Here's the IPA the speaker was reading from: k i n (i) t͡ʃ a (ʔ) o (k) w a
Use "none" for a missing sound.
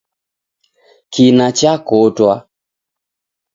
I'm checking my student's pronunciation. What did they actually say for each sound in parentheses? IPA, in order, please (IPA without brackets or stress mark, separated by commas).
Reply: a, k, t